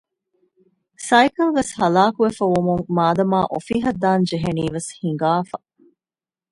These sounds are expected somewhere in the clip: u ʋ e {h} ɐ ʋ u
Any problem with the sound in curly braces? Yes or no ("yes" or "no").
yes